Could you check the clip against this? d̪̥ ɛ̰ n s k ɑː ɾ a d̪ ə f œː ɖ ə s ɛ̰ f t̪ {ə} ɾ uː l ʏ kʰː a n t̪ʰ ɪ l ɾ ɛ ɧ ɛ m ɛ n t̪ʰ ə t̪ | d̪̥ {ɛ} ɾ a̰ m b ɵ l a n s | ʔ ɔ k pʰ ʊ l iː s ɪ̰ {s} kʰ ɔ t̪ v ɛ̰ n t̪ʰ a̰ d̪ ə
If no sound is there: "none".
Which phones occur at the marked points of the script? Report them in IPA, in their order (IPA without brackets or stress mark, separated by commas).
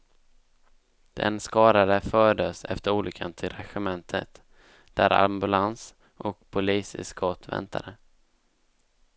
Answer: ə, æ, s